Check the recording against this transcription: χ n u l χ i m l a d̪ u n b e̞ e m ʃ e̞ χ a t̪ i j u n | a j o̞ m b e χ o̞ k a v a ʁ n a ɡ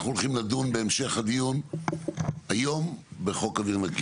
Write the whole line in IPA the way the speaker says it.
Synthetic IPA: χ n u l χ i m l a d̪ u n b e̞ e m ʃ e̞ χ a d̪ i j u n | a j o̞ m b e χ o̞ k a v i ʁ n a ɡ